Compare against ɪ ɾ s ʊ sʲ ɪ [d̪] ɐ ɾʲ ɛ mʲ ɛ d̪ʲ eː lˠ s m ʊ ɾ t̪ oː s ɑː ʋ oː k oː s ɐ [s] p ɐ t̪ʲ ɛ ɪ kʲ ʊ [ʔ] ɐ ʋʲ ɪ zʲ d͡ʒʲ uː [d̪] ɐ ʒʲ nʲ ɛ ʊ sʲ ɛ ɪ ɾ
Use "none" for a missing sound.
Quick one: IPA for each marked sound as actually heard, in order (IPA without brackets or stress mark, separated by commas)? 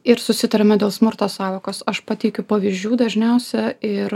t̪, ʃ, p, d̪